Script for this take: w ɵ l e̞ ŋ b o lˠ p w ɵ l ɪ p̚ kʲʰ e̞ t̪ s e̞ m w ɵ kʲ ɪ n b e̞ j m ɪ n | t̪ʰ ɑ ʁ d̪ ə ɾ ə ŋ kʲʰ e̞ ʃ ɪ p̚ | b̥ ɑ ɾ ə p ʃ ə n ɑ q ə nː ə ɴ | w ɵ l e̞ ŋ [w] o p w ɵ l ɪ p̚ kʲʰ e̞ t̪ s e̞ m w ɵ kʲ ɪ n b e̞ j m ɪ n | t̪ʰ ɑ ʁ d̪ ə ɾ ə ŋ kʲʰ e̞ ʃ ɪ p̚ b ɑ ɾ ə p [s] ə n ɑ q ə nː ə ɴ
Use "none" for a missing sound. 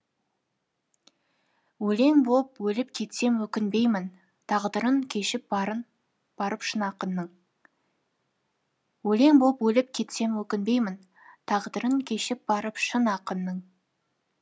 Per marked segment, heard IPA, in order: b, ʃ

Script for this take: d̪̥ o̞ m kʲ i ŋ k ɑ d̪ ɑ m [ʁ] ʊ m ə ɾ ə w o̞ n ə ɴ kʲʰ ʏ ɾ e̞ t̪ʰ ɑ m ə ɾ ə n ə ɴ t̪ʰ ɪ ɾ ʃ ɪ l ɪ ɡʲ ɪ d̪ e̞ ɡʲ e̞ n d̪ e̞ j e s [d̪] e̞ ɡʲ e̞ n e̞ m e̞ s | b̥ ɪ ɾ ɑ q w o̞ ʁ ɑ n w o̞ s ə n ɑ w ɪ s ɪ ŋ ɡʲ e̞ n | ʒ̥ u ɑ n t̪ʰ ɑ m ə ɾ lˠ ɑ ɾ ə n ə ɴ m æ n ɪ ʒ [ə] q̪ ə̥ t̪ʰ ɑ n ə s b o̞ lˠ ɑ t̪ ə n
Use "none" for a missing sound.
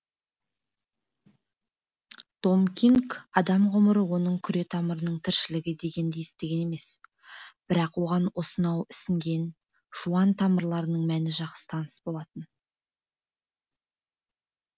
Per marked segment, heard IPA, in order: ʁ, t̪, ɑ

